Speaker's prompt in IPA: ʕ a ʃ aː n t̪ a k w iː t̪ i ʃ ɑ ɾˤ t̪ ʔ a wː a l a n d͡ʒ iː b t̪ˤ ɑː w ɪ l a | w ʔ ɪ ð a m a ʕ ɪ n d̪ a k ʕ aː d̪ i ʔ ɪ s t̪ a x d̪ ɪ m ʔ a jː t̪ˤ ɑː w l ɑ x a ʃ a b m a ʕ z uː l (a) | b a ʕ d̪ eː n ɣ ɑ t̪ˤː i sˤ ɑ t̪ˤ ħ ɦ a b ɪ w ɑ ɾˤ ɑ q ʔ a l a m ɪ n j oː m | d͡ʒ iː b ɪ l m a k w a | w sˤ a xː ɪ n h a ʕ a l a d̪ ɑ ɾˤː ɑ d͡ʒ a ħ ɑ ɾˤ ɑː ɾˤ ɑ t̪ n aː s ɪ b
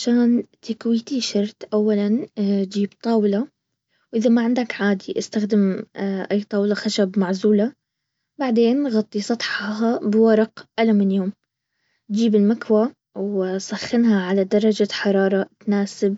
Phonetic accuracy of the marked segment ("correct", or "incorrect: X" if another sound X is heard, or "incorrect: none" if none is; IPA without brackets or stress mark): correct